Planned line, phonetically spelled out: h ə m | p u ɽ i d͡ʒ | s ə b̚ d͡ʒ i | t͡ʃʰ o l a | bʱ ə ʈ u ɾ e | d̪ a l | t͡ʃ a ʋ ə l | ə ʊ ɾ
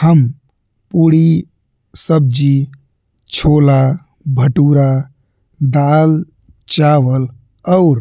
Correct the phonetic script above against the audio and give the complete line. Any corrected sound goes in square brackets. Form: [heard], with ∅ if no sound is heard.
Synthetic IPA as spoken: h ə m | p u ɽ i [∅] | s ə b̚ d͡ʒ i | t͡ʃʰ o l a | bʱ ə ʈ u ɾ [a] | d̪ a l | t͡ʃ a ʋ ə l | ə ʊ ɾ